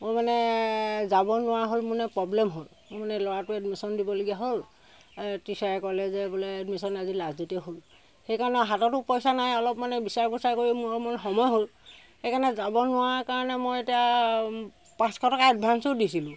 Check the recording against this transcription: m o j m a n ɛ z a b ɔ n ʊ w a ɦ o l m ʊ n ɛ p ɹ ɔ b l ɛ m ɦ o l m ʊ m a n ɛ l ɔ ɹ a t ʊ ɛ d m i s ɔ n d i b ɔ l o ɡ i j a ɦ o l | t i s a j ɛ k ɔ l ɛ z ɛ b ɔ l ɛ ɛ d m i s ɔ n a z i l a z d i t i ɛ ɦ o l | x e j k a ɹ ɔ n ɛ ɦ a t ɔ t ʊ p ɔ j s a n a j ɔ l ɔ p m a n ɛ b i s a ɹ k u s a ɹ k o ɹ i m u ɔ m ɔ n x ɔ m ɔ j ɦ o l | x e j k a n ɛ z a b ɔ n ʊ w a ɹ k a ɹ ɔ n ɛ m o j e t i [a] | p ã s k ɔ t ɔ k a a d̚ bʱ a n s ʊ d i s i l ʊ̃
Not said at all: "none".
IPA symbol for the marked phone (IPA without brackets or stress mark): a